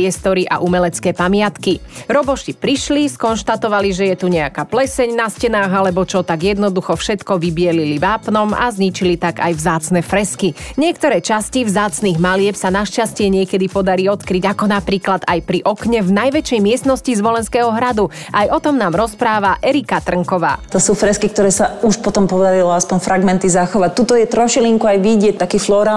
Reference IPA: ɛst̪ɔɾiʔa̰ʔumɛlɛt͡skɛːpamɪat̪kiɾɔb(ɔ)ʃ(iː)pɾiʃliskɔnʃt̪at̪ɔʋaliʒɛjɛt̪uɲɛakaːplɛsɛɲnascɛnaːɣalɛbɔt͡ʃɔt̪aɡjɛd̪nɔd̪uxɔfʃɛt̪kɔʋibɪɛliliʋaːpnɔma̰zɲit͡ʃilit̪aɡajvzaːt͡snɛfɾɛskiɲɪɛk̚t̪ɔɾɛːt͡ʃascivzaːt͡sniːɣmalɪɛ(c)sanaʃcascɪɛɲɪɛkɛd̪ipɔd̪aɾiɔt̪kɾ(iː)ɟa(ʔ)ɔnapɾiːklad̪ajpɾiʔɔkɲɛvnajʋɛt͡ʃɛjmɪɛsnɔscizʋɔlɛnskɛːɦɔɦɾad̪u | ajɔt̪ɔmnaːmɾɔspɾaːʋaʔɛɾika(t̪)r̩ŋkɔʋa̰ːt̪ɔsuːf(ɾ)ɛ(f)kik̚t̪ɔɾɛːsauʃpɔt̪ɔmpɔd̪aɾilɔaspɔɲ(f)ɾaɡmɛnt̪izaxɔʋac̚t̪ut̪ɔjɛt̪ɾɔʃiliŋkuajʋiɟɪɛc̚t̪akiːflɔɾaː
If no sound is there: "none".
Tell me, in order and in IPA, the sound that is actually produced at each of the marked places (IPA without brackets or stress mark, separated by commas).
ɔ, i, p, i, k, t̪, ɾ, s, f